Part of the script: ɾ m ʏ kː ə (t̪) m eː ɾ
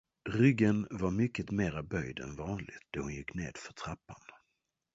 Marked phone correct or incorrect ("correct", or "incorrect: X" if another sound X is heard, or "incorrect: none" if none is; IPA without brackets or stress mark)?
correct